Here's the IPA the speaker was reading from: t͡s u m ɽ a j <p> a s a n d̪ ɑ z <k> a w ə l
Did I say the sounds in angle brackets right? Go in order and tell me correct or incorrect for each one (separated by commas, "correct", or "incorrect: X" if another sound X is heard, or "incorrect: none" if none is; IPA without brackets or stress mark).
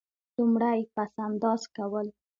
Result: correct, correct